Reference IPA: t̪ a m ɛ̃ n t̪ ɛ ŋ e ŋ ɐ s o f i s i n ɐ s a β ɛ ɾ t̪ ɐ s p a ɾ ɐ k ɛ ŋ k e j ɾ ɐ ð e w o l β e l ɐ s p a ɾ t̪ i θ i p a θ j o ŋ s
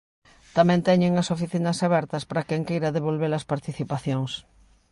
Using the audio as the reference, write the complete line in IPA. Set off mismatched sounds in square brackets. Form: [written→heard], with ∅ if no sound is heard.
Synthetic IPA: t̪ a m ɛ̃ n t̪ ɛ [ŋ→ɲ] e ŋ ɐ s o f i [s→θ] i n ɐ s a β ɛ ɾ t̪ ɐ s p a ɾ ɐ k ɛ ŋ k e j ɾ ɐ ð e [w→β] o l β e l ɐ s p a ɾ t̪ i θ i p a θ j o ŋ s